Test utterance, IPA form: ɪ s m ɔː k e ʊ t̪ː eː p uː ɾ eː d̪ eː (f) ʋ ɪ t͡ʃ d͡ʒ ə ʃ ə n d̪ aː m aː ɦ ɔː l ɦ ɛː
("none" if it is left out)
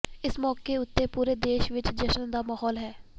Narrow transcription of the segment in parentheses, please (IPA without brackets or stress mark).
ʃ